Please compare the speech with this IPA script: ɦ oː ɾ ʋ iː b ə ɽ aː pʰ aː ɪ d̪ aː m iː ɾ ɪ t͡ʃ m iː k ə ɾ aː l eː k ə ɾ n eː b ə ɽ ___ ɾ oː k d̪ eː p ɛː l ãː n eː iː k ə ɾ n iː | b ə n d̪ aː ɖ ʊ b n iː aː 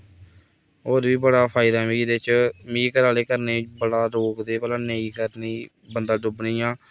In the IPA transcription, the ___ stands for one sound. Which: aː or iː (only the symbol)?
aː